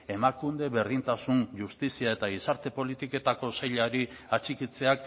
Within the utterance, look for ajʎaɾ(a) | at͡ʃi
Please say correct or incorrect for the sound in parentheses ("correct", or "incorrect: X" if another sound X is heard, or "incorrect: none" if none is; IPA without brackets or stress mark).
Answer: incorrect: i